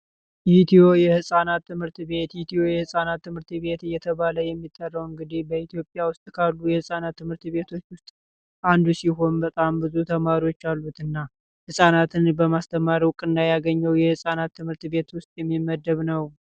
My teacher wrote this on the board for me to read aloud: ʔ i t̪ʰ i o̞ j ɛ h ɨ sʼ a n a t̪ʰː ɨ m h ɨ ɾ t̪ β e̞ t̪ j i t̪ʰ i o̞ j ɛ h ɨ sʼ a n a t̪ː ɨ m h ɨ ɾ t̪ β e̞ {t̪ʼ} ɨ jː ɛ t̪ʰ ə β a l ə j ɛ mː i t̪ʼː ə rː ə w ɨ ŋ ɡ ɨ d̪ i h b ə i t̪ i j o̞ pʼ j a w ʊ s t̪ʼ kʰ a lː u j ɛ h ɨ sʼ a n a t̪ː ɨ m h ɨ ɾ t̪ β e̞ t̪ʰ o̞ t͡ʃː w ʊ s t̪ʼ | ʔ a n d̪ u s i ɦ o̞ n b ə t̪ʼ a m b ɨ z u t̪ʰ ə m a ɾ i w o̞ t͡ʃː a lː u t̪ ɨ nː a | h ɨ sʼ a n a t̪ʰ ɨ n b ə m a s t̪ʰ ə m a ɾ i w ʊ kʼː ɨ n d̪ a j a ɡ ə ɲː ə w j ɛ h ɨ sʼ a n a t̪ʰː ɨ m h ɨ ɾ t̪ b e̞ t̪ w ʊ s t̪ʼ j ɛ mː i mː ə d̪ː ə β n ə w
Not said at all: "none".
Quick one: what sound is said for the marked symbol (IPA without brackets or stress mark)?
t̪